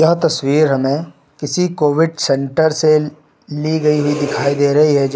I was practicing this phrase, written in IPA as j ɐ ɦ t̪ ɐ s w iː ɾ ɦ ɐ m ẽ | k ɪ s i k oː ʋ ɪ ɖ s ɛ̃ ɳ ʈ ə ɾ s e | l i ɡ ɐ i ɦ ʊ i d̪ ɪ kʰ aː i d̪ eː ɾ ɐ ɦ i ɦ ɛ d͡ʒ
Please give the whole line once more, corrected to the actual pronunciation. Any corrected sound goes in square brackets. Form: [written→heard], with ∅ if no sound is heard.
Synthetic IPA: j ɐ ɦ t̪ ɐ s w iː ɾ ɦ ɐ m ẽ | k ɪ s i k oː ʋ ɪ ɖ s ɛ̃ ɳ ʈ ə ɾ s e | l i ɡ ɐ i ɦ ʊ i d̪ ɪ kʰ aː i d̪ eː ɾ ɐ ɦ i ɦ ɛ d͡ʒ